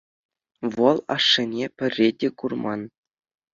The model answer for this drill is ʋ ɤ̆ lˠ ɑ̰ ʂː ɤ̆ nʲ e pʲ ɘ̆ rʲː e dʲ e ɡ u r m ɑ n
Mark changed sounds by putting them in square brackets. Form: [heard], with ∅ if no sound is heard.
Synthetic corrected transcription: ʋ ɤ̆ lˠ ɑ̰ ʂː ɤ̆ nʲ e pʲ ɘ̆ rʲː e dʲ e [k] u r m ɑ n